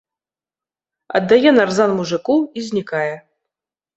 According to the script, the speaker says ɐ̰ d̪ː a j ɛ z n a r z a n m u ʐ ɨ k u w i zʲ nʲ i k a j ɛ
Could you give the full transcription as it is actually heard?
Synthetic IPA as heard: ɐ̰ d̪ː a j ɛ n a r z a n m u ʐ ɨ k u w i zʲ nʲ i k a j ɛ